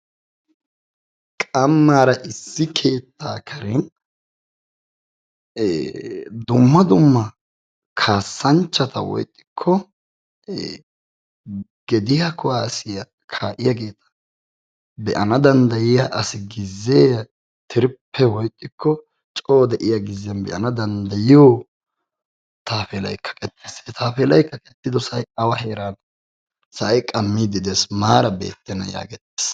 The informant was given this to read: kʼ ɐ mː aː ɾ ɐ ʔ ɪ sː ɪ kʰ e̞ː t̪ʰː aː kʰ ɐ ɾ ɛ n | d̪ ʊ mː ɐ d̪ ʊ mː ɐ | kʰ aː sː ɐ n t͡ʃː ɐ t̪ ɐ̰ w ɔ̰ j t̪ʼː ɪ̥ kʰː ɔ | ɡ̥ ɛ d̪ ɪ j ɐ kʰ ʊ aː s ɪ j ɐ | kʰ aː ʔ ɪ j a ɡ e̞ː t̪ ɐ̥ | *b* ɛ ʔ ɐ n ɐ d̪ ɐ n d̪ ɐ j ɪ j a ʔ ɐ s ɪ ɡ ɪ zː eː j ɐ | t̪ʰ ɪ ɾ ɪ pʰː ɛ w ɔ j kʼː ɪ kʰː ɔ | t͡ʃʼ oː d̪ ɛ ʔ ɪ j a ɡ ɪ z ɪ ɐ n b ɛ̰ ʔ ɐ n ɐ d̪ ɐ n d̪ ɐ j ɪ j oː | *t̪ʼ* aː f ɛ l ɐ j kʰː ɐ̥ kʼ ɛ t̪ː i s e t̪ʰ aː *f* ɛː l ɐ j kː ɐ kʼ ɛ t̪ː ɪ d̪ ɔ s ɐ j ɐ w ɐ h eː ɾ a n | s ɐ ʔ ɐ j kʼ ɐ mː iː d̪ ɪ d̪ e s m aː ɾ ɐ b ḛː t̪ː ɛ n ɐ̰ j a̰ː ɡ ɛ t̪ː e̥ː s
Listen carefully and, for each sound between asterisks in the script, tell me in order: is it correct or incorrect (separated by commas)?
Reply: correct, incorrect, correct